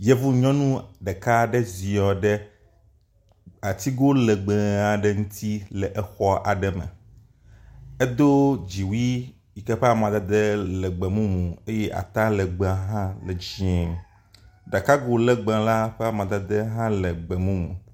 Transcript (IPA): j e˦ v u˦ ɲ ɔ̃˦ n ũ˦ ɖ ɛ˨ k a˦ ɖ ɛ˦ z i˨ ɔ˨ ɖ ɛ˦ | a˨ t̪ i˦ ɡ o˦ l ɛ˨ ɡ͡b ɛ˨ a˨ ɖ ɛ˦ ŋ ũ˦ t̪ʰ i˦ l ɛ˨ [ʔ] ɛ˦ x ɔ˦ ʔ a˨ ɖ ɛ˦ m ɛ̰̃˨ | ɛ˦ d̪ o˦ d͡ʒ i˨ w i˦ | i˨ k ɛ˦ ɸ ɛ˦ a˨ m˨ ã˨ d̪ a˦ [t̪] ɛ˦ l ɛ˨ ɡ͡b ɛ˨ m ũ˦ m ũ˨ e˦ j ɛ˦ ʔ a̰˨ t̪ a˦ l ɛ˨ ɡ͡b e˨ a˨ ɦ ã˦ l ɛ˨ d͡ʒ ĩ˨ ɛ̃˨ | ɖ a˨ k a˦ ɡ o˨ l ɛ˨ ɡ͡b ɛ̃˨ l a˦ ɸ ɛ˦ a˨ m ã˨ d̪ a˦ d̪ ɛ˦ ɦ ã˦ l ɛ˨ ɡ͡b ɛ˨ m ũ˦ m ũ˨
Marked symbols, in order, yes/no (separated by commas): yes, no